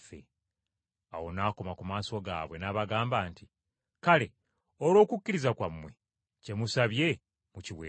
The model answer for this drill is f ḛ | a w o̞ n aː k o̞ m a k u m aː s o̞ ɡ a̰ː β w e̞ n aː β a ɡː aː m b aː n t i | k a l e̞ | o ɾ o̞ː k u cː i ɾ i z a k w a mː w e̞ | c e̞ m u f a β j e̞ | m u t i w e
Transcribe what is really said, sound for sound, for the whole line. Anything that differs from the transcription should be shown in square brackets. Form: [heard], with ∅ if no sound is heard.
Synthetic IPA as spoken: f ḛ | a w o̞ n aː k o̞ m a k u m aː s o̞ ɡ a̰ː β w e̞ n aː β a [ɡ] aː m b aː n t i | k a l e̞ | o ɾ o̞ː k u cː i ɾ i z a k w a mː w e̞ | c e̞ m u [s] a β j e̞ | m u [c] i w e